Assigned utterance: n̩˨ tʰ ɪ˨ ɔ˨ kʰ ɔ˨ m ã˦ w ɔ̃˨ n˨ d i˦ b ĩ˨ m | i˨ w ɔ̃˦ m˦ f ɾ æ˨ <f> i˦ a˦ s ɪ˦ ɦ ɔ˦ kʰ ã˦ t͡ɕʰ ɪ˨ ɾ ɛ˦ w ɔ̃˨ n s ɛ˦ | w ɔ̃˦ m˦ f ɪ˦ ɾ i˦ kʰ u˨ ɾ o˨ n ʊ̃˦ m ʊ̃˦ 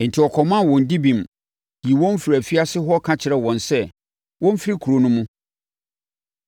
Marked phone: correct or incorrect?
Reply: correct